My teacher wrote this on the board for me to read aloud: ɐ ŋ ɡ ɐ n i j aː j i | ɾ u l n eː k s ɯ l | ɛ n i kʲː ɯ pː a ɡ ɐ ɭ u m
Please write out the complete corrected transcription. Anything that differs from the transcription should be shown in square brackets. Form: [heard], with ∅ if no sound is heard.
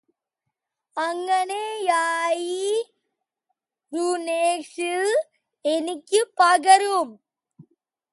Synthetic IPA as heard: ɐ ŋ ɡ ɐ n [e] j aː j i | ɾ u [∅] n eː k [ʂ] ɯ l | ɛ n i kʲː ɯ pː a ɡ ɐ [ɾ] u m